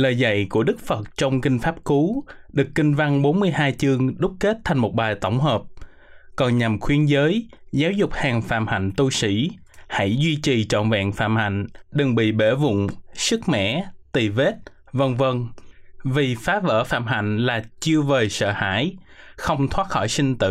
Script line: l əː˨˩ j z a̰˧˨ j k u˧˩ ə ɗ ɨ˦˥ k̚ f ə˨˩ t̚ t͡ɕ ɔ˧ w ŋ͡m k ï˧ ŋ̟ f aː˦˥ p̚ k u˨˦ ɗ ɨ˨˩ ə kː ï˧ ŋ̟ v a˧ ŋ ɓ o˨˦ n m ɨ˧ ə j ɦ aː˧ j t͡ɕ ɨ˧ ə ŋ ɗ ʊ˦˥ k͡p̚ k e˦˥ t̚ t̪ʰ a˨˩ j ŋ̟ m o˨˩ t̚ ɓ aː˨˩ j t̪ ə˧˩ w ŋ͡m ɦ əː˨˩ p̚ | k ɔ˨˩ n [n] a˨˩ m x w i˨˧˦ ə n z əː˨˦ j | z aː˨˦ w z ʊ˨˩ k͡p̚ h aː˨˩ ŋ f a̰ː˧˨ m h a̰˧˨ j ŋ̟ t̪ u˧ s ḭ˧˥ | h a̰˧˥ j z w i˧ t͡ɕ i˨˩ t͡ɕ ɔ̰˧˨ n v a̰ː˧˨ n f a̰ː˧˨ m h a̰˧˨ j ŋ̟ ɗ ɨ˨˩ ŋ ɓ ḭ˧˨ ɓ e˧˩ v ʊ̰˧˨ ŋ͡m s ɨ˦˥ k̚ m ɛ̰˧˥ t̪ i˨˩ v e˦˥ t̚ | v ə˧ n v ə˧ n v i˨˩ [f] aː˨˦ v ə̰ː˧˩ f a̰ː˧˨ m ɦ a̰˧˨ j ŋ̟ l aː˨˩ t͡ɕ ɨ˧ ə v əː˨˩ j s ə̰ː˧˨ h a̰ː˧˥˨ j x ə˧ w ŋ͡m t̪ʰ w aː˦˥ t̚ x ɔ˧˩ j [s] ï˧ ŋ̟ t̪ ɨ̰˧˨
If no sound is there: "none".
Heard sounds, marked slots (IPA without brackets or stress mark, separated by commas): ɲ, f, s